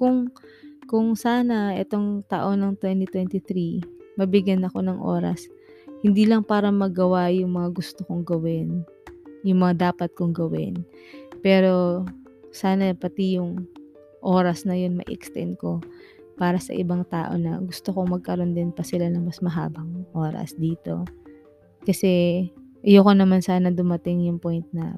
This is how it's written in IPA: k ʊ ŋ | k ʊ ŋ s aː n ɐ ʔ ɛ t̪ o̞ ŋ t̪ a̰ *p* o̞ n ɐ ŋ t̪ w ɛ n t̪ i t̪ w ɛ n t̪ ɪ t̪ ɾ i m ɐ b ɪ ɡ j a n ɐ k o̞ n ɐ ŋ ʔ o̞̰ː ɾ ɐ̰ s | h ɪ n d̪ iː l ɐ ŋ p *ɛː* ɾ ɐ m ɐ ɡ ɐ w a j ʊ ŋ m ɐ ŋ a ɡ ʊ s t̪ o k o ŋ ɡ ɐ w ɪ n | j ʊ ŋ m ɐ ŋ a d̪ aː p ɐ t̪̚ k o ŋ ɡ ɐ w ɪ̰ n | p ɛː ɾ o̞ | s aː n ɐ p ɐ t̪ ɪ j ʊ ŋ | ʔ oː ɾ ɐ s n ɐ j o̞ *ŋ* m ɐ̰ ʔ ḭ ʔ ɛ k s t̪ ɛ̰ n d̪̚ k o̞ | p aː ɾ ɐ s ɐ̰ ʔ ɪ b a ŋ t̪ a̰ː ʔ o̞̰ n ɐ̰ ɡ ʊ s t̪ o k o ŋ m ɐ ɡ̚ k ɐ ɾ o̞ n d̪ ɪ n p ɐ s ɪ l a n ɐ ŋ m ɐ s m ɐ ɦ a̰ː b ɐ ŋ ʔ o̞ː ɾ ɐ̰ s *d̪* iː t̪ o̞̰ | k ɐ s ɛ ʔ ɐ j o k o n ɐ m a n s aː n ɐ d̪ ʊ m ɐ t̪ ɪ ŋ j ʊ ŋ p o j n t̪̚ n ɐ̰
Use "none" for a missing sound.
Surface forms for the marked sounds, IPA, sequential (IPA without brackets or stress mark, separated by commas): ʔ, aː, n, d̪